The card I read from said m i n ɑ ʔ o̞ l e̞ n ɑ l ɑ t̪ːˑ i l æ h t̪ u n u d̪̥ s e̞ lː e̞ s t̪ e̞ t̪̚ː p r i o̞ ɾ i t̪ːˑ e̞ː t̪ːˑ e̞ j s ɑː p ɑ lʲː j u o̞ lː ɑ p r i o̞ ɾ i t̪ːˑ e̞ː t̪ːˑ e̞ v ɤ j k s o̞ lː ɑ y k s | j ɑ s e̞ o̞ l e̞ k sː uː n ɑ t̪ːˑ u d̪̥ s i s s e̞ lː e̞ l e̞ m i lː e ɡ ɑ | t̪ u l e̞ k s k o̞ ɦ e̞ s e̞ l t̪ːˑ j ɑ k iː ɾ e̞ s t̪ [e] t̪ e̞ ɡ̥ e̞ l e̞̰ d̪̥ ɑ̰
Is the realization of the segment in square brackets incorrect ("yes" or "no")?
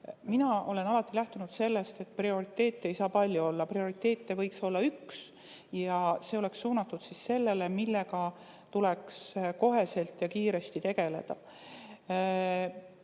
yes